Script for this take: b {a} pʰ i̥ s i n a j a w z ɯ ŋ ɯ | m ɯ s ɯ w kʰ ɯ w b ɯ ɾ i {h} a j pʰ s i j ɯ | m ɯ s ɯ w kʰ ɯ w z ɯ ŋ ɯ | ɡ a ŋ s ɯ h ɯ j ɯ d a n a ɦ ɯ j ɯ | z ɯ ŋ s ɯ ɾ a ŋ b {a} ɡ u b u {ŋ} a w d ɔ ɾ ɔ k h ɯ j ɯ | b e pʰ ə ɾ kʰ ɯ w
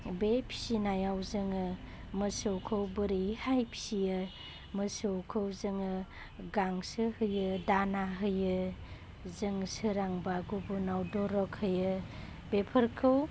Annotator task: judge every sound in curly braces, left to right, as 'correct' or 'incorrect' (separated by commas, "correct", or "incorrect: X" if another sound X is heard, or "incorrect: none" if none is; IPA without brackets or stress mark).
incorrect: e, correct, correct, incorrect: n